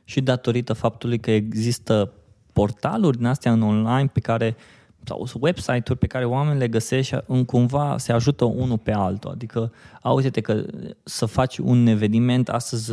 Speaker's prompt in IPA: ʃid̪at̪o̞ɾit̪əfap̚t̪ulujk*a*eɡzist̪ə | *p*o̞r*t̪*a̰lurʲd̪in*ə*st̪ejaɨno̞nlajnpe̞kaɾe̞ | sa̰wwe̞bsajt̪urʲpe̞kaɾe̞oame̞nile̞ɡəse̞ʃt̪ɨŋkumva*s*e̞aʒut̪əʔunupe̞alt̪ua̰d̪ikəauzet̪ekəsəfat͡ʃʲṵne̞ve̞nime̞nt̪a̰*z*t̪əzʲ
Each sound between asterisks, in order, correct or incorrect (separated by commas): incorrect, correct, correct, incorrect, correct, incorrect